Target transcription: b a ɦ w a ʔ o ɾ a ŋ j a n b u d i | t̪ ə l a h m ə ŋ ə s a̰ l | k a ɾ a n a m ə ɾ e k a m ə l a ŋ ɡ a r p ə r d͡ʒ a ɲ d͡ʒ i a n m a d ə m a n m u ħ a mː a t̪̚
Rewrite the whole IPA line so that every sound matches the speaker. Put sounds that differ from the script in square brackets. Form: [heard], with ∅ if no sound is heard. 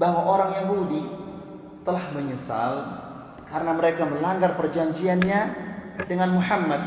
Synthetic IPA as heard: b a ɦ w a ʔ o ɾ a ŋ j a [ŋ] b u d i | t̪ ə l a h m ə [ɲ] ə s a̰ l | k a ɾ [ə] n a m ə ɾ e k a m ə l a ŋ ɡ a r p ə r d͡ʒ a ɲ d͡ʒ i a n [ɲ] a d ə [ŋ] a n m u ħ a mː a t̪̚